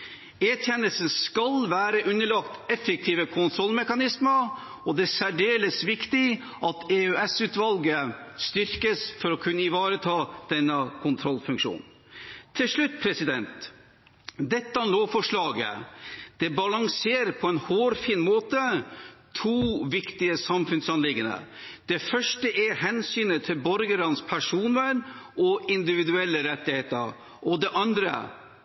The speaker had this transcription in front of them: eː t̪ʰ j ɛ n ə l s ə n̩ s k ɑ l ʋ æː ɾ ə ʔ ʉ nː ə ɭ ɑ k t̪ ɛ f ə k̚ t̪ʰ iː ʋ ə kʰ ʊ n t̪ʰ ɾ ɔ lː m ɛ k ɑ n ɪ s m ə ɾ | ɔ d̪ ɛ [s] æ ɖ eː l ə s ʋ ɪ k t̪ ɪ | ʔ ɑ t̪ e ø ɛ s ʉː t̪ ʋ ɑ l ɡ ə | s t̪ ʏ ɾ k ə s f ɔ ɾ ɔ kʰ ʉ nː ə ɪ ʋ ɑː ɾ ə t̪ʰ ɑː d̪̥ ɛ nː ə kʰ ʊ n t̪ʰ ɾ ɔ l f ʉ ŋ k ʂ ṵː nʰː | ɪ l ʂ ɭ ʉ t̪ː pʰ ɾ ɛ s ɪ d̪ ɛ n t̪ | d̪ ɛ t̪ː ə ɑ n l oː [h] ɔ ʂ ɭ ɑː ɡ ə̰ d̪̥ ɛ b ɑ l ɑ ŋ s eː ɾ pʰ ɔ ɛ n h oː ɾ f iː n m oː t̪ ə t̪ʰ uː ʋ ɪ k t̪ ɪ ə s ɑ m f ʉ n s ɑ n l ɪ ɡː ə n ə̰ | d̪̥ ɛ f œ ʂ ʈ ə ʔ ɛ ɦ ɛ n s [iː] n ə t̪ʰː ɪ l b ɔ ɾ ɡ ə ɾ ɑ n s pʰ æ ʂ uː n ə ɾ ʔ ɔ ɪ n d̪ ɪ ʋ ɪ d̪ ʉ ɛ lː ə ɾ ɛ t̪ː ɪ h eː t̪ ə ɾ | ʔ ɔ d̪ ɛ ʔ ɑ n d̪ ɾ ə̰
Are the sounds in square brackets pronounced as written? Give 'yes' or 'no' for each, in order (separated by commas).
yes, no, no